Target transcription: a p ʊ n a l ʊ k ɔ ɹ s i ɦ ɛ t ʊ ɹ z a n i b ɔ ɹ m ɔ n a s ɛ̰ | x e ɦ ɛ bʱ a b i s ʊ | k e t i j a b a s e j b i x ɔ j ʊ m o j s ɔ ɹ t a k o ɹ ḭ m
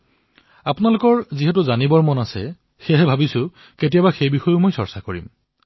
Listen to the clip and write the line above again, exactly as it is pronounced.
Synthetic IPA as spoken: a p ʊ n a l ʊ k ɔ ɹ z i ɦ ɛ t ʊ z a n i b ɔ ɹ m ɔ n a s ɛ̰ | x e ɦ ɛ bʱ a b i s ʊ | k e t i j a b a x e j b i x ɔ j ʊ m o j s ɔ ɹ s a k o ɹ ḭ m